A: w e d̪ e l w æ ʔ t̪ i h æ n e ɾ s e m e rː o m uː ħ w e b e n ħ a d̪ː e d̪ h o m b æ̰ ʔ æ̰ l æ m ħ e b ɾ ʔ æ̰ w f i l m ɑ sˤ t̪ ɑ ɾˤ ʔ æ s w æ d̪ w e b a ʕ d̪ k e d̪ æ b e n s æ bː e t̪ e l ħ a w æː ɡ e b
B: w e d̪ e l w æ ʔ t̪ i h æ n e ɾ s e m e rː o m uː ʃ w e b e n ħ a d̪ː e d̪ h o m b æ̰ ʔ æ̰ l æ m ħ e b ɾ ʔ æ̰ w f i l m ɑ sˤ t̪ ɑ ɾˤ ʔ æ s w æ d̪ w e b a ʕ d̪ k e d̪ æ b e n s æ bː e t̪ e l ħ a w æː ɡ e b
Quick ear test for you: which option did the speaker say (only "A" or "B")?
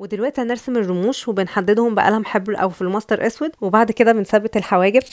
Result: B